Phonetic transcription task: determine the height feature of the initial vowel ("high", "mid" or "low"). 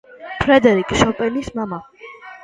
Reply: mid